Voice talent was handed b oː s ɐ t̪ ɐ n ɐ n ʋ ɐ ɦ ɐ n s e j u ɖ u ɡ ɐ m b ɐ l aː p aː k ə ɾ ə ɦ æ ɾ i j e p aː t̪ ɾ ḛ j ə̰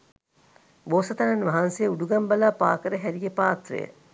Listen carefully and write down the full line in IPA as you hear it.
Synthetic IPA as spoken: b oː s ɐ t̪ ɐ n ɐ n ʋ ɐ ɦ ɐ n s e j u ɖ u ɡ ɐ m b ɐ l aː p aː k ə ɾ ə ɦ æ ɾ i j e p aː t̪ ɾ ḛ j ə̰